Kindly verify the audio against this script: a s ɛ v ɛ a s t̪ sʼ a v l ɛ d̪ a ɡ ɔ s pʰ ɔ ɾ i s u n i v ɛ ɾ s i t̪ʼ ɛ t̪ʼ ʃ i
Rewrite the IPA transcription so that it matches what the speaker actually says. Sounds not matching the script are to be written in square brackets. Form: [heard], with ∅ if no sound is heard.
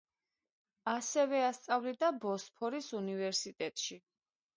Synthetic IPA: a s ɛ v ɛ a s t̪ sʼ a v l [i] d̪ a [b] ɔ s pʰ ɔ ɾ i s u n i v ɛ ɾ s i t̪ʼ ɛ t̪ʼ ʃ i